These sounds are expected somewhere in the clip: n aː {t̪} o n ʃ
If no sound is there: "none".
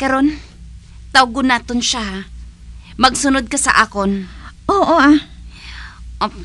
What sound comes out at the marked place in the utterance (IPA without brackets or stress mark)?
t̪